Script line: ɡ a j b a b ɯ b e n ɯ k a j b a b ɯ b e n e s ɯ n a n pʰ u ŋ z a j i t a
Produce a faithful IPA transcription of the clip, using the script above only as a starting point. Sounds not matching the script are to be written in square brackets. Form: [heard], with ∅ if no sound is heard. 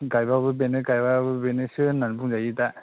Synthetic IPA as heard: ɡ a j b a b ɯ b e n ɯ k a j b a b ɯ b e n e s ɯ n a n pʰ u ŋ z a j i t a